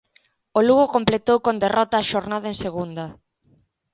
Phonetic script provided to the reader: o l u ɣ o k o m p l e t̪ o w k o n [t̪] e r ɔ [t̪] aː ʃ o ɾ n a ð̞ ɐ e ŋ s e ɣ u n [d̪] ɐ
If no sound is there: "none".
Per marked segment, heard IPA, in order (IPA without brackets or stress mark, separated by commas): d̪, t̪, d̪